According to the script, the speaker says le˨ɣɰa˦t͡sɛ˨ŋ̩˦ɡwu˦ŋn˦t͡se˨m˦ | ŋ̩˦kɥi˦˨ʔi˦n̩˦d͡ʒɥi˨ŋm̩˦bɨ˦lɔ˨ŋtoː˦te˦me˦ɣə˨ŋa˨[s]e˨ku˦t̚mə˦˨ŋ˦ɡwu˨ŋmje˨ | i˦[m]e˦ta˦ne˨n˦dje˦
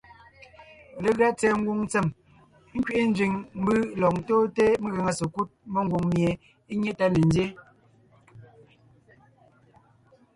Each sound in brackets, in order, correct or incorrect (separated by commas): correct, incorrect